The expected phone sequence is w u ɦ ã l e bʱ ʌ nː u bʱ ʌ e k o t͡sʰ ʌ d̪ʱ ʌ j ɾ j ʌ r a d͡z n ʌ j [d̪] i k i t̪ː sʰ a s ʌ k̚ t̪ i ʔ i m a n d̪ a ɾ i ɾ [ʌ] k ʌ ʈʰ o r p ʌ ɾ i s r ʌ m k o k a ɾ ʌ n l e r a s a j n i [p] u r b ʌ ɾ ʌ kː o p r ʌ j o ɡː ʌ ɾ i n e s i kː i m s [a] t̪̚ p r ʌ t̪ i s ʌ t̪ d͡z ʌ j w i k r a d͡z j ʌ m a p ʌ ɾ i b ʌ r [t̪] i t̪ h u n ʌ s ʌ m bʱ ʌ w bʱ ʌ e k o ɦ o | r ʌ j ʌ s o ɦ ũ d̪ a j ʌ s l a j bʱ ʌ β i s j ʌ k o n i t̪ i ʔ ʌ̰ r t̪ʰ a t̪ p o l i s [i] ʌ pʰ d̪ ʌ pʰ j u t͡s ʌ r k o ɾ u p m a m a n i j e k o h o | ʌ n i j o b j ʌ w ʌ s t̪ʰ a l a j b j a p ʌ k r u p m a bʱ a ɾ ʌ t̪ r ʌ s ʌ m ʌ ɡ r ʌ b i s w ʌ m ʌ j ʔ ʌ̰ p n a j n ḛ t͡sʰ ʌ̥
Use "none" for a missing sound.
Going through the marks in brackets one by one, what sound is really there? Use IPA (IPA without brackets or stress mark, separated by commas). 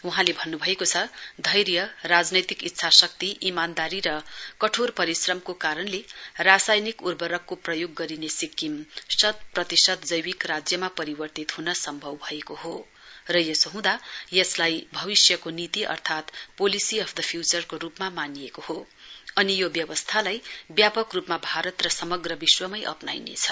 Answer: t̪, ʌ, k, ʌ, t̪, i